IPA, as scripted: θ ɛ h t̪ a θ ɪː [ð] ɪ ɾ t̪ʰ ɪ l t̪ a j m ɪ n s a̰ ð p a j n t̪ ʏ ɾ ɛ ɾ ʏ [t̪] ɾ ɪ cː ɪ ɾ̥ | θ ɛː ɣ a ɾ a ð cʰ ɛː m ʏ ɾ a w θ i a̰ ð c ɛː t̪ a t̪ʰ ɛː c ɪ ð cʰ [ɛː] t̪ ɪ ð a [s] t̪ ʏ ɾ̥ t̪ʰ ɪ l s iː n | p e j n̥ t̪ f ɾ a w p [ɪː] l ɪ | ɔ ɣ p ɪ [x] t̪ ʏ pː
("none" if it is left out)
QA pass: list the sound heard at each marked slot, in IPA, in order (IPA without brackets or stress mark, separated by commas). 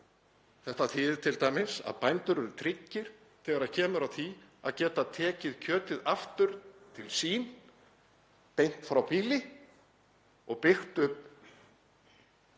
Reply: ð, t̪ʰ, œː, f, iː, x